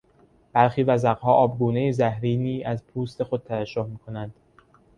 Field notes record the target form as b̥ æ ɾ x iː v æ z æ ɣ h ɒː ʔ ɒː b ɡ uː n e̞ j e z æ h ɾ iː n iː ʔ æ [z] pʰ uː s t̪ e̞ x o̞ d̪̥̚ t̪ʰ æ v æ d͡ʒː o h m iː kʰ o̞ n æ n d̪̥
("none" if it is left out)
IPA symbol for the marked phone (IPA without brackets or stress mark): z